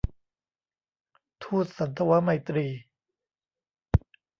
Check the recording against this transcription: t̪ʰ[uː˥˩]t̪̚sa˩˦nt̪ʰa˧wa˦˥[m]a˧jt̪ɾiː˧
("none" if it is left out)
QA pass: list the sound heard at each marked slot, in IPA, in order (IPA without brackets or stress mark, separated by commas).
uː˥˩, m